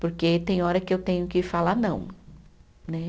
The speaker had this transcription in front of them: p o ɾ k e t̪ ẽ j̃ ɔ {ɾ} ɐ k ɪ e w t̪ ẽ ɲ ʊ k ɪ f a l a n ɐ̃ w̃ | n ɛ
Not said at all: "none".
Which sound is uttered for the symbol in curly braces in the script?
ɾ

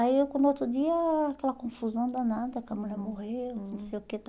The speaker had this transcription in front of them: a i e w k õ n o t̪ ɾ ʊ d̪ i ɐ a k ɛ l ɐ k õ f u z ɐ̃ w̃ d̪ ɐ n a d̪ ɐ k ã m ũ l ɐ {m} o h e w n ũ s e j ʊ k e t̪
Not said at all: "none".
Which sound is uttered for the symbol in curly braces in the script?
m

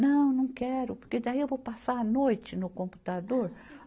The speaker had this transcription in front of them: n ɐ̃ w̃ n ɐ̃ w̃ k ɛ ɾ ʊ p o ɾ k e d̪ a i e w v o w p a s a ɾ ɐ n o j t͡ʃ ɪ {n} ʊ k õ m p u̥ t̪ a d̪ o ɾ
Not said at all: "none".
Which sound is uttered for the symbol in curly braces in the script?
n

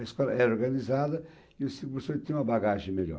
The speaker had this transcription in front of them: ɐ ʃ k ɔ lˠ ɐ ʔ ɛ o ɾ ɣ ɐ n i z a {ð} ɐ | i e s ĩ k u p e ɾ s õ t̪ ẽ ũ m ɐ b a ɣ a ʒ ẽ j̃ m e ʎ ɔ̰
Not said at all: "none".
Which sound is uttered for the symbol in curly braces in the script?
ð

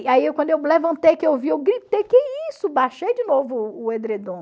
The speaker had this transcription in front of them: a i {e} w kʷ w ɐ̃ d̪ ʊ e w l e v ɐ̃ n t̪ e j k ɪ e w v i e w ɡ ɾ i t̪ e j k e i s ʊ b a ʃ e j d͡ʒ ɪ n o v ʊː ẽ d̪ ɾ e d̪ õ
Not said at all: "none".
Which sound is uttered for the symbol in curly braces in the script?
e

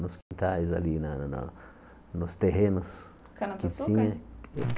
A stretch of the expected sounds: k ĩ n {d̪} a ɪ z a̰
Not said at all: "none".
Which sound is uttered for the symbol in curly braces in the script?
t̪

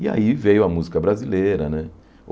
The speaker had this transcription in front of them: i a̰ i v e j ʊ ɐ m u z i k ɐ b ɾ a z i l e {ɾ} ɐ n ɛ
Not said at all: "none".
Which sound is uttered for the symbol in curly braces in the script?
ɾ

